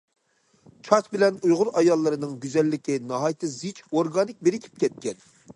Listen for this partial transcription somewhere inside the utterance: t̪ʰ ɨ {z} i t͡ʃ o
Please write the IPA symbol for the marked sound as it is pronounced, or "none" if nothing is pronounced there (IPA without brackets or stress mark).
z